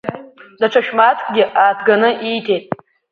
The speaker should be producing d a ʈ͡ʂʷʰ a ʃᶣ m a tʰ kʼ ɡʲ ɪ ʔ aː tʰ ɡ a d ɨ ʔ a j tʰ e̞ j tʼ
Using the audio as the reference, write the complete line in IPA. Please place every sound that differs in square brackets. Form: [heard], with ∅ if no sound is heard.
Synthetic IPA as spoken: d a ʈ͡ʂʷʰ a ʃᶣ m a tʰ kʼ ɡʲ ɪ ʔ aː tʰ ɡ a [n] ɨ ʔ [i] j tʰ e̞ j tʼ